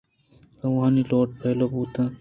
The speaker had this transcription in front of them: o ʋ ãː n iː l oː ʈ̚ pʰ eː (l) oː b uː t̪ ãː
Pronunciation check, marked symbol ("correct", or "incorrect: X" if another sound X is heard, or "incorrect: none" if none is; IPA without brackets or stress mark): correct